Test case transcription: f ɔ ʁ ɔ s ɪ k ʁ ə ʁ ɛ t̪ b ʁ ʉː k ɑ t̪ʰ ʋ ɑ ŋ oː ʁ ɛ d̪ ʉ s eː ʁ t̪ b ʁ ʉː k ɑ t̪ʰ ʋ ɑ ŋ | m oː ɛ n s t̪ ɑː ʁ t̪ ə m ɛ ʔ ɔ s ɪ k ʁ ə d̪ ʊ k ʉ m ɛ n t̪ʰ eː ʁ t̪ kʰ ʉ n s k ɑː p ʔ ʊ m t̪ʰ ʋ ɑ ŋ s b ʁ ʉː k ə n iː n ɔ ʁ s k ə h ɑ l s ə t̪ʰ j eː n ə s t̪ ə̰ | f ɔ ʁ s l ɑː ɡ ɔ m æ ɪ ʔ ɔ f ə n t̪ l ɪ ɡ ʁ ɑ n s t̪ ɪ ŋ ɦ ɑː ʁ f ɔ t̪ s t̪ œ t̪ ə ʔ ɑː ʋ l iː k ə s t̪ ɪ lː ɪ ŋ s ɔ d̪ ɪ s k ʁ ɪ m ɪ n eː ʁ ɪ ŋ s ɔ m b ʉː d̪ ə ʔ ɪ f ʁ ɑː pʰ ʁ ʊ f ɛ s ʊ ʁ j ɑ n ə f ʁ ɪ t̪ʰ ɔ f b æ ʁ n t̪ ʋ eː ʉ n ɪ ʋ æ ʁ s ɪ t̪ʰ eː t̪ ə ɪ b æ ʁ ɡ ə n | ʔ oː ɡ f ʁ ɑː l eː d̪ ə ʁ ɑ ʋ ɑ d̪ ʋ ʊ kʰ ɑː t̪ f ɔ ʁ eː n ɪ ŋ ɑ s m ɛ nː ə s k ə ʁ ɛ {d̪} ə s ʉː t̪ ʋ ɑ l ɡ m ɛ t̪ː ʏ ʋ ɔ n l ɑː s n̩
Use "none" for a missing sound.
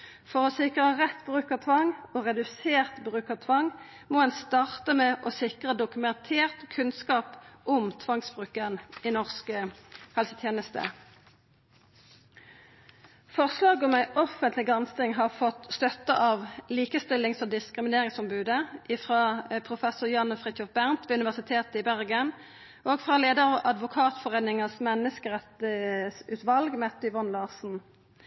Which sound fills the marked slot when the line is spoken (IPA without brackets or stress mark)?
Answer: t̪